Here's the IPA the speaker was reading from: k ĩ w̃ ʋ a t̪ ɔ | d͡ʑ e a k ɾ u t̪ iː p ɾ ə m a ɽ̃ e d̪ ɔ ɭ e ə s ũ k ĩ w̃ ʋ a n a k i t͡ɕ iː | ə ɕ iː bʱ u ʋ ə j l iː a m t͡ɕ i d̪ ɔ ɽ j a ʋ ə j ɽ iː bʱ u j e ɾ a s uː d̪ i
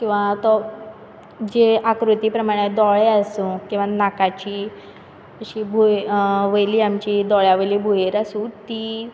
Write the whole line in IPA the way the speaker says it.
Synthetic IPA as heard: k ĩ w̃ ʋ a t̪ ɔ | d͡ʑ e a k ɾ u t̪ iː p ɾ ə m a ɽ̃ e d̪ ɔ ɭ e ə s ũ k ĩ w̃ ʋ a n a k a t͡ɕ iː | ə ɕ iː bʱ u ʋ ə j l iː a m t͡ɕ i d̪ ɔ ɭ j a ʋ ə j l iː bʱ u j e ɾ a s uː t̪ i